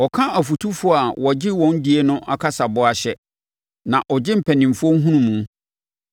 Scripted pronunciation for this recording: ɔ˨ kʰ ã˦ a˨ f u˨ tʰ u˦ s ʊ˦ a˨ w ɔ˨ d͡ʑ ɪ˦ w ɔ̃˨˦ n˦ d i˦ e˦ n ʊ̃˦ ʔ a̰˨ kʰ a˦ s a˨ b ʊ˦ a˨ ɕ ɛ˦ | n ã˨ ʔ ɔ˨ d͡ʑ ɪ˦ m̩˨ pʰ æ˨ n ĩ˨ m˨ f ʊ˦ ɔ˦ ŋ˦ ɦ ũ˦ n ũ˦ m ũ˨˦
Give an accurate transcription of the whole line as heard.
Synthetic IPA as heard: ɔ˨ kʰ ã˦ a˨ f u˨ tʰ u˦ f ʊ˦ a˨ w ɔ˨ d͡ʑ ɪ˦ w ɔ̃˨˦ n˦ d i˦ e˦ n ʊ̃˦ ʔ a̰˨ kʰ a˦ s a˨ b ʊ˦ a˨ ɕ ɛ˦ | n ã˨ ʔ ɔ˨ d͡ʑ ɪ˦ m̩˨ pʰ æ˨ n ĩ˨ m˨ f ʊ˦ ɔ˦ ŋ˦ ɦ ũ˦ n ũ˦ m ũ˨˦